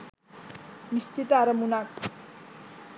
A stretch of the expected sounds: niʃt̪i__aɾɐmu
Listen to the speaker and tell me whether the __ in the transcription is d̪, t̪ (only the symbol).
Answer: t̪